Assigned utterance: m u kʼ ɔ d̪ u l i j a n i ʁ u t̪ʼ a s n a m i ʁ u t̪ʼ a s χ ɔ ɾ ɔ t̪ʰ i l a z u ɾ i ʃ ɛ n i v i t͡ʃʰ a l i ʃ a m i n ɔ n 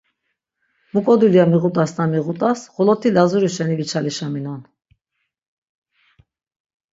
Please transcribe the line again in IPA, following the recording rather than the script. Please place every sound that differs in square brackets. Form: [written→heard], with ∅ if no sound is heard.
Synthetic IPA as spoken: m u kʼ ɔ d̪ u l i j a [n→m] i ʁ u t̪ʼ a s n a m i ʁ u t̪ʼ a s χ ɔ [ɾ→l] ɔ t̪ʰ i l a z u ɾ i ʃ ɛ n i v i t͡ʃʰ a l i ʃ a m i n ɔ n